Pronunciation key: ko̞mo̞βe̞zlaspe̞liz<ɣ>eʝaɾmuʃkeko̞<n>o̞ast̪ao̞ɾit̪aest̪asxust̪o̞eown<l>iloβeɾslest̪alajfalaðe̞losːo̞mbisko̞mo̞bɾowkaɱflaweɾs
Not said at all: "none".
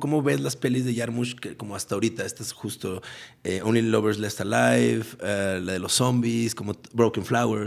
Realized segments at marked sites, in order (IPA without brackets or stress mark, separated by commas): ð, m, l